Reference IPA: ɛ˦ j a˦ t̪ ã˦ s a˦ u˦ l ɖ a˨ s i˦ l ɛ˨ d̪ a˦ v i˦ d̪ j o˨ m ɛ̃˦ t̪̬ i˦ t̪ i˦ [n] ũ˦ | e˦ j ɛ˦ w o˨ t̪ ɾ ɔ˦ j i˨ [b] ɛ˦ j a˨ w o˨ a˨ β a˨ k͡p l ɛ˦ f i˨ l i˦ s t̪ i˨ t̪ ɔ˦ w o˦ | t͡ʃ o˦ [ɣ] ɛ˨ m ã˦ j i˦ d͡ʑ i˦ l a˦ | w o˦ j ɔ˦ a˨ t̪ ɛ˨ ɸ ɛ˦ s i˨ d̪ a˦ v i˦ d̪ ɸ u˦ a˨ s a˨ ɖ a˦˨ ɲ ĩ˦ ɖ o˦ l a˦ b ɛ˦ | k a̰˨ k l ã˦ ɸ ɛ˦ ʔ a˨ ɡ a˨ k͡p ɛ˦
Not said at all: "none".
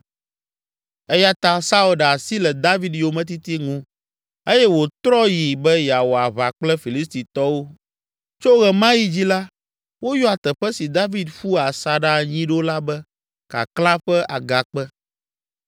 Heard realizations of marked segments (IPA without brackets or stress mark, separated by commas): ŋ, b, ɣ